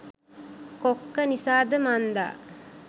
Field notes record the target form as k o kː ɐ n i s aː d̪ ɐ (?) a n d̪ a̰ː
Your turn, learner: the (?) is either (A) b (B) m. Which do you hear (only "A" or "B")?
B